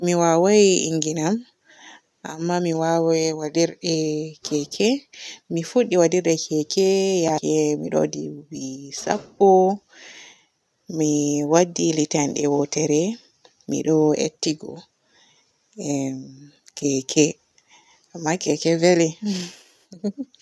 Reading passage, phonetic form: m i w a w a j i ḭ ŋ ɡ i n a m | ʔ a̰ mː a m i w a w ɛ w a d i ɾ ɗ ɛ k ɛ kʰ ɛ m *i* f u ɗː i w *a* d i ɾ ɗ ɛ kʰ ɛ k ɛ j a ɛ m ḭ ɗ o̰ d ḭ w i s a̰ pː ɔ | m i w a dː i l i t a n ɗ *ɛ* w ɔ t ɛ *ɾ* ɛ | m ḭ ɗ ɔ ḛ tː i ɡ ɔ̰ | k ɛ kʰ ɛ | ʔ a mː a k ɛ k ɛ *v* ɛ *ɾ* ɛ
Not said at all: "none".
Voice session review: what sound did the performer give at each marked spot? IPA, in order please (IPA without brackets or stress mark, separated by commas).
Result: i, a, ɛ, ɾ, v, l